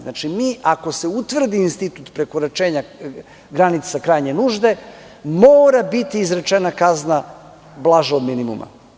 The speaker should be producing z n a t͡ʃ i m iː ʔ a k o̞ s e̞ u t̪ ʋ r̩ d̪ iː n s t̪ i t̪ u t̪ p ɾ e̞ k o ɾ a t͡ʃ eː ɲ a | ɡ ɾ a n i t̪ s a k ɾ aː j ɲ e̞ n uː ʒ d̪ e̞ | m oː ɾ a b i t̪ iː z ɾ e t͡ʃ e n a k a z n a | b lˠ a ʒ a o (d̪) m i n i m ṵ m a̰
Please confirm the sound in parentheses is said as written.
yes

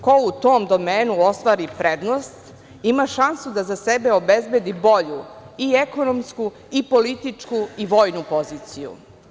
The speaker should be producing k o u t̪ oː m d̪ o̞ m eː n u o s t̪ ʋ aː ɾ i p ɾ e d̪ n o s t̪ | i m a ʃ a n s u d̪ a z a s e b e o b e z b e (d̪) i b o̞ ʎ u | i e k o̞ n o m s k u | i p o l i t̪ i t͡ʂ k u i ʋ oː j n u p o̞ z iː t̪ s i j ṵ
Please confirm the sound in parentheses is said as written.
yes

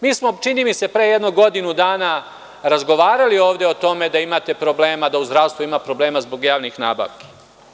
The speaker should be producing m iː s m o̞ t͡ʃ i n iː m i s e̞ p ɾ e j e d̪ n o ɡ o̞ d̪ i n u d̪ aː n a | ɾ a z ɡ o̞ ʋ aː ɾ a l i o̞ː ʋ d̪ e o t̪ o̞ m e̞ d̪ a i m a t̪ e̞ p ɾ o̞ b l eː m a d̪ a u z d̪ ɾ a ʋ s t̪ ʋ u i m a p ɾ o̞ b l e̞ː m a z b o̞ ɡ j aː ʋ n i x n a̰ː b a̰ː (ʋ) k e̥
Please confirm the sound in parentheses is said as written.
yes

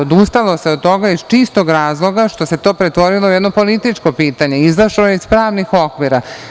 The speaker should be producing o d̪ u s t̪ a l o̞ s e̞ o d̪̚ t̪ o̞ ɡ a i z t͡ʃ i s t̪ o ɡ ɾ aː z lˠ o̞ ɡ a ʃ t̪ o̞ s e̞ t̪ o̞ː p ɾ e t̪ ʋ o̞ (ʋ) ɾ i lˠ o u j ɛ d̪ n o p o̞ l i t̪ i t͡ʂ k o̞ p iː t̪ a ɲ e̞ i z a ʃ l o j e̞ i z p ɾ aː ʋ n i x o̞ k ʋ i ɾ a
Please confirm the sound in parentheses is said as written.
no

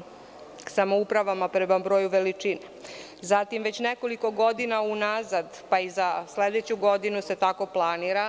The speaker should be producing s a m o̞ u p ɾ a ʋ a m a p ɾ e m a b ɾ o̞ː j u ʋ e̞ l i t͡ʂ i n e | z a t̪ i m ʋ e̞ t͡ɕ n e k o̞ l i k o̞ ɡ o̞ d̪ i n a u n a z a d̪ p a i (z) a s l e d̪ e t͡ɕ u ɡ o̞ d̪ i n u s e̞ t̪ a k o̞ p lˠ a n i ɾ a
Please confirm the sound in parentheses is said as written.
yes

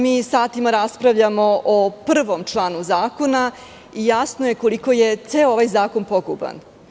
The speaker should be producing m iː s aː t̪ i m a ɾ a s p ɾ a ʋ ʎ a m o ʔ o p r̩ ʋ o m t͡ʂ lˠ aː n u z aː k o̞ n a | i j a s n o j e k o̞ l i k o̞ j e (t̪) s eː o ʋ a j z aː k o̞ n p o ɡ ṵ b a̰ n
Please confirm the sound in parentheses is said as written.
yes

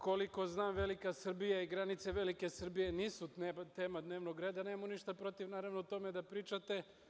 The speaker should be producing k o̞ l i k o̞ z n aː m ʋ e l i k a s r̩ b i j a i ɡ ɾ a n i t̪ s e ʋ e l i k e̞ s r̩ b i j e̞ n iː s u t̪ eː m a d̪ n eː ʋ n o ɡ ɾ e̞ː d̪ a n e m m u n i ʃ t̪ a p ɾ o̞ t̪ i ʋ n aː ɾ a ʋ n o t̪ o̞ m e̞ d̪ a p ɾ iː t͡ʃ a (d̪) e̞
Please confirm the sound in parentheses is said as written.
no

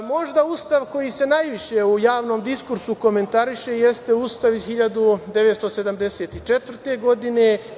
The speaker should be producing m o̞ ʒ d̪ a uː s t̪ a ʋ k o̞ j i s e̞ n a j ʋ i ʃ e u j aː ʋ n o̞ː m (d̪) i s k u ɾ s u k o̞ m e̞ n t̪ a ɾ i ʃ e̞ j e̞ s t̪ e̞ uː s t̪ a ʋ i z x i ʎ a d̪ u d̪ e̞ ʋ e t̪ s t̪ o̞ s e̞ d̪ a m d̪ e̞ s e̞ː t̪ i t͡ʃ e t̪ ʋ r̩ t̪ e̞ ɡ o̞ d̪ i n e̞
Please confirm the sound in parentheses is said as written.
yes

